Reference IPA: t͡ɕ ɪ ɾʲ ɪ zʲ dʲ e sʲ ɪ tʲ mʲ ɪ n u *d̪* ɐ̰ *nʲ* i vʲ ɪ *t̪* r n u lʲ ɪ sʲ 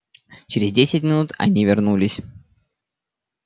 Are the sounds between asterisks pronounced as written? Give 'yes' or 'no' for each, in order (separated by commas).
no, yes, no